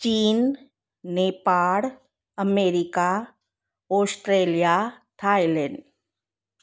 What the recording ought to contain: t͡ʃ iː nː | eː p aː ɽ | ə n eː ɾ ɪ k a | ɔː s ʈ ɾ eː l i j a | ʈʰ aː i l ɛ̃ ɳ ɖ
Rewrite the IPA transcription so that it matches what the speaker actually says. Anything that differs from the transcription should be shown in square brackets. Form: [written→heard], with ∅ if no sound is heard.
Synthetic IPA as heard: t͡ʃ iː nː | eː p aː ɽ | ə [n→m] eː ɾ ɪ k a | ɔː s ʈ ɾ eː l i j a | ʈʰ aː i l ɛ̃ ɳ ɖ

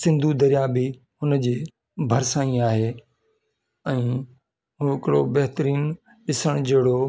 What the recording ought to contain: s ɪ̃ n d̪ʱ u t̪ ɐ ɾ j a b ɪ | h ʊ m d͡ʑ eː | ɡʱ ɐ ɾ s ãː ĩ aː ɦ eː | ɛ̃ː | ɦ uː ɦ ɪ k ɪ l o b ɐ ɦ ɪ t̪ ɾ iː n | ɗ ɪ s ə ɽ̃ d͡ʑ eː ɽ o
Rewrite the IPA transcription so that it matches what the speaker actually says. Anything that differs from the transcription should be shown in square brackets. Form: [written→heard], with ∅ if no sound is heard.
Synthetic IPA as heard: s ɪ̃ n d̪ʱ u [t̪→d̪] ɐ ɾ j a b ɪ | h ʊ [m→n] d͡ʑ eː | [ɡʱ→bʱ] ɐ ɾ s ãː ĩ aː ɦ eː | ɛ̃ː | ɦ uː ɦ ɪ k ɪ [l→ɽ] o b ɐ ɦ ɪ t̪ ɾ iː n | ɗ ɪ s ə ɽ̃ d͡ʑ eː ɽ o

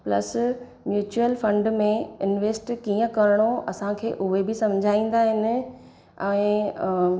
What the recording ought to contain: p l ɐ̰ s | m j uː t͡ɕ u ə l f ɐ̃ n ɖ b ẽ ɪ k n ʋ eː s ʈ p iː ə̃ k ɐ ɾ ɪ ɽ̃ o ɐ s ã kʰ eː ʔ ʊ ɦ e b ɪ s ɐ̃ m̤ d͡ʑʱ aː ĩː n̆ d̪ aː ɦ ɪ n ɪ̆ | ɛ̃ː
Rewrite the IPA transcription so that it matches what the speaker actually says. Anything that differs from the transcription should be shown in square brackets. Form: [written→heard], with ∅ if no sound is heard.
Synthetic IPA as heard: p l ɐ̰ s | m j uː t͡ɕ u ə l f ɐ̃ [n→ɳ] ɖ [b→m] ẽ ɪ [k→∅] n ʋ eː s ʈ [p→k] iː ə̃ k ɐ ɾ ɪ ɽ̃ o ɐ s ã kʰ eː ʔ ʊ ɦ e b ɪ s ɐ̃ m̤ d͡ʑʱ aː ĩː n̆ d̪ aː ɦ ɪ n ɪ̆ | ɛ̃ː

